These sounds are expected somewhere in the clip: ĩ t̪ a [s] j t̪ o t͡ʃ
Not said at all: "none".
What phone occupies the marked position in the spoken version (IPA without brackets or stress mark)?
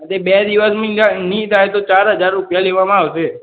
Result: none